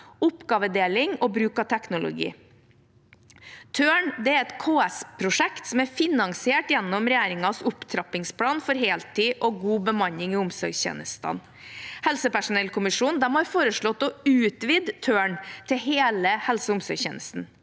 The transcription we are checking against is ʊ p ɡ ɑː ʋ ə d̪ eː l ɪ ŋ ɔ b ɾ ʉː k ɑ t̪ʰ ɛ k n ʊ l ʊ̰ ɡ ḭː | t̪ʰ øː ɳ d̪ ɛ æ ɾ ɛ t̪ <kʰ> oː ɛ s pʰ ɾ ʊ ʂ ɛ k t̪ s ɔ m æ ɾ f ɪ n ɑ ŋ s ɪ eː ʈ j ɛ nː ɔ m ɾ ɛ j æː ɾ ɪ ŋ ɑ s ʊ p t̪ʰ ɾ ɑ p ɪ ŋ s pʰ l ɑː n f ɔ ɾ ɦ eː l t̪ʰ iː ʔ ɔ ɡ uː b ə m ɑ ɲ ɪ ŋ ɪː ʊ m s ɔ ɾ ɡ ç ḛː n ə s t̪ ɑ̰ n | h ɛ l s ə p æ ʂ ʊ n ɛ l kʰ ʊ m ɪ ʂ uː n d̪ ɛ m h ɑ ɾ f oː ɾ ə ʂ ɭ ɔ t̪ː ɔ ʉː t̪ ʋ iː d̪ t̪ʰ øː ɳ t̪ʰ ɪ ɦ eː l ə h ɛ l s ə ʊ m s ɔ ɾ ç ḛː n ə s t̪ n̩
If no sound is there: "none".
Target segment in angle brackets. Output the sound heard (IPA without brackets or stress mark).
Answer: kʰ